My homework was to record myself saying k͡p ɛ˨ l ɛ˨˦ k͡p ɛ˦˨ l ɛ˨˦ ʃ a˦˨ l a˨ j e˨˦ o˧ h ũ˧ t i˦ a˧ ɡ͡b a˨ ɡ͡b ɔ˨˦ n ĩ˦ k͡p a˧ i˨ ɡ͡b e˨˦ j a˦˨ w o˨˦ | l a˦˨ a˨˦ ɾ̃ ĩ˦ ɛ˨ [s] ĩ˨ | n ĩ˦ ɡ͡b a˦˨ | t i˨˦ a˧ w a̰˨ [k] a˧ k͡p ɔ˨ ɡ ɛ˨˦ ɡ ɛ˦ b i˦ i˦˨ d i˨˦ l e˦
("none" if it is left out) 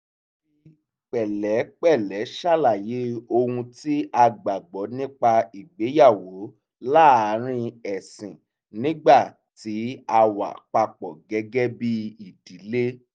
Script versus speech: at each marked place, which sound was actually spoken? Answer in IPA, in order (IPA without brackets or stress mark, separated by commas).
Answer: s, k͡p